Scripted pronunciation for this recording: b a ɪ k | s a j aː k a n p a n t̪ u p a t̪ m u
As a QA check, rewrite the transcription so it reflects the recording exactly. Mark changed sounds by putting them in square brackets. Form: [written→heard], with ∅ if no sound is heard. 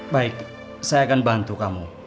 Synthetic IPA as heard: b a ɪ k | s a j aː k a n [p→b] a n t̪ u [p→k] a [t̪→∅] m u

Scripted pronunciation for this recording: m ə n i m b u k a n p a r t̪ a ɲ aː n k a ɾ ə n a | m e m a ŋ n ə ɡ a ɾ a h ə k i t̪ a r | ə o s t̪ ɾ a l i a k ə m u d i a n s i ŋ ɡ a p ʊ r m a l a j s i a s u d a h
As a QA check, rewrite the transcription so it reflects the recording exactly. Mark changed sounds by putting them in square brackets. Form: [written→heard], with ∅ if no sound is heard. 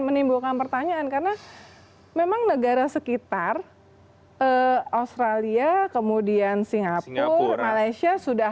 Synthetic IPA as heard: m ə n i m b u k a n p [a→ə] r t̪ a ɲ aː n k a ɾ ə n a | m e m a ŋ n ə ɡ a ɾ a [h→s] ə k i t̪ a r | ə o s t̪ ɾ a l i a k ə m u d i a n s i ŋ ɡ a p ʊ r m a l a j s i a s u d a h

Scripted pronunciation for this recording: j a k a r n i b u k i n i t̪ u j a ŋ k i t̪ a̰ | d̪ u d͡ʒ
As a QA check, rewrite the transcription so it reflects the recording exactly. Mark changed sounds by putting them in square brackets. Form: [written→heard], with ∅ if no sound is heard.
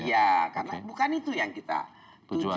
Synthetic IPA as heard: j a k a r n [i→a] b u k [i→a] n i t̪ u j a ŋ k i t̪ a̰ | [d̪→t̪] u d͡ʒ

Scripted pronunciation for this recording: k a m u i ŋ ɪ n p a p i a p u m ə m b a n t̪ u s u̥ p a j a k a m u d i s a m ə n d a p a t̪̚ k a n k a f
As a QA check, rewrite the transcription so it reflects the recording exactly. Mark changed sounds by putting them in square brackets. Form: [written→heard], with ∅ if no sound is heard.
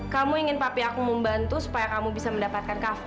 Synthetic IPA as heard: k a m u i ŋ ɪ n p a p i a [p→k] u m ə m b a n t̪ u s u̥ p a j a k a m u [d→b] i s a m ə n d a p a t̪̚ k a n k a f

